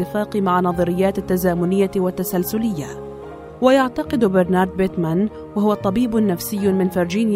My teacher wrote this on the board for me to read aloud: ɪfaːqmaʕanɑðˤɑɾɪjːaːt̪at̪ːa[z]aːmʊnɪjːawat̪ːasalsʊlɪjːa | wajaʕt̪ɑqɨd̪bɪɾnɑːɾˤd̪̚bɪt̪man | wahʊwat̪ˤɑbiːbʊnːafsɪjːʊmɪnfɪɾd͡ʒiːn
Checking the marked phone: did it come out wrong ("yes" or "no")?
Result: no